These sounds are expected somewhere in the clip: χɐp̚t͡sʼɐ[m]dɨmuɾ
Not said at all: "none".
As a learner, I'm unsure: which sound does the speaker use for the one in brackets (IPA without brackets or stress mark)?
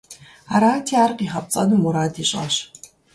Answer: none